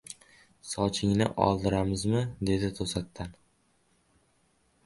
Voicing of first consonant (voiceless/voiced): voiceless